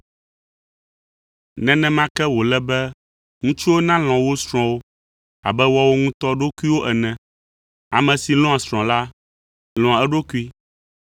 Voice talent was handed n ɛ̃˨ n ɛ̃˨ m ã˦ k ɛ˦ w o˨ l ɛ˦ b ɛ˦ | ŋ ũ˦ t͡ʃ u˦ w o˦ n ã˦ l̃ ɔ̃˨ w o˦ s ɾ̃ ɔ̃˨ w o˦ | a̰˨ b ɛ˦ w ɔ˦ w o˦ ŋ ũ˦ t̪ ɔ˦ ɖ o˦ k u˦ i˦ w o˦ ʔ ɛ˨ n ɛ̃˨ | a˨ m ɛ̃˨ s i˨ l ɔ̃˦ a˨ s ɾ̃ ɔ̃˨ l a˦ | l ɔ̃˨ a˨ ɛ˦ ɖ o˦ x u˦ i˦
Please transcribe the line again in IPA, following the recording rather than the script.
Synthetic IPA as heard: n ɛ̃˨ n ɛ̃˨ m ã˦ k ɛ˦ w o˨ l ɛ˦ b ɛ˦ | ŋ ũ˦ t͡ʃ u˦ w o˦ n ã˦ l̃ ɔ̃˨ w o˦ s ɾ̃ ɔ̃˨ w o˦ | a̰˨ b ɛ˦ w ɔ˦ w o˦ ŋ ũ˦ t̪ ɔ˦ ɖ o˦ k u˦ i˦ w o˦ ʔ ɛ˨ n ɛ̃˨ | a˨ m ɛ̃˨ s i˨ l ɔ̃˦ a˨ s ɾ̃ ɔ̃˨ l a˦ | l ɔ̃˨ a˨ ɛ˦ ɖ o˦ k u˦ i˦